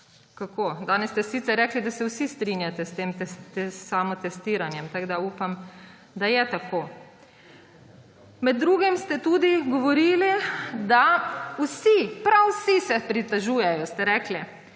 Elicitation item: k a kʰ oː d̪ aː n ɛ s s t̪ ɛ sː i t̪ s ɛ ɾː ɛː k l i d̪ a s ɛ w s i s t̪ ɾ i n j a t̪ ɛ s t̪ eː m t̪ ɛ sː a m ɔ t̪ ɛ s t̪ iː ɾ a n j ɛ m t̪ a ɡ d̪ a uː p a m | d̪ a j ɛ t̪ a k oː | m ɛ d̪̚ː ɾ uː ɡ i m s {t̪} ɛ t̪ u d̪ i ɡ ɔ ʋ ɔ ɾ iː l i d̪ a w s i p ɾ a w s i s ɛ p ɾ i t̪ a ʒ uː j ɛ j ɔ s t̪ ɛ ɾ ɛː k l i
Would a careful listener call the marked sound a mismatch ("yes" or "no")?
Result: no